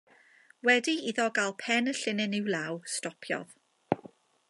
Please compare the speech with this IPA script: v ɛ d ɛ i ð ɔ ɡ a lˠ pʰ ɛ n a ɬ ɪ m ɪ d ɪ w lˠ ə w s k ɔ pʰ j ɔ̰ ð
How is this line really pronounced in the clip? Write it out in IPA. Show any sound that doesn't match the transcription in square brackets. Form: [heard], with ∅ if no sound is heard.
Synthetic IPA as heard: [w] ɛ d [i] i ð ɔ ɡ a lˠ pʰ ɛ n [ə] ɬ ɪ [n] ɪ [n] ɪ w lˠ [a] w s [t] ɔ pʰ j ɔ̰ ð